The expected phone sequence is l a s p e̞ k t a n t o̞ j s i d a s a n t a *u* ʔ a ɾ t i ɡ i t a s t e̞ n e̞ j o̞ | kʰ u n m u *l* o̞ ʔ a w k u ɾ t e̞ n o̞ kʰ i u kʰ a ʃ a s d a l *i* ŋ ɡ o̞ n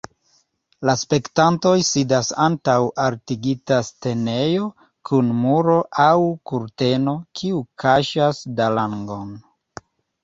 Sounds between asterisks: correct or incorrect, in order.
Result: incorrect: w, incorrect: ɾ, incorrect: a

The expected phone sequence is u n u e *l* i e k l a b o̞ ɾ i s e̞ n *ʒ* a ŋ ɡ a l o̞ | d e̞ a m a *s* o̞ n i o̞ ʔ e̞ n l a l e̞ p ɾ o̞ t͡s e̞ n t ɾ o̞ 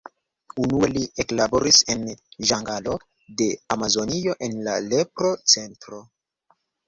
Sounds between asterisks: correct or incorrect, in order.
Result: correct, correct, incorrect: z

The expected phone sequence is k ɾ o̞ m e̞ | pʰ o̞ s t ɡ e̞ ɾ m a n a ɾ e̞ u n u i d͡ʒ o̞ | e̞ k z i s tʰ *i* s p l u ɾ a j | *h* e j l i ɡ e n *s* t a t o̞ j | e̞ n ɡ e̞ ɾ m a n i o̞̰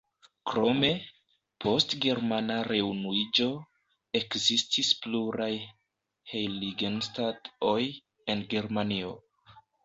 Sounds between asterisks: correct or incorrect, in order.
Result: correct, correct, correct

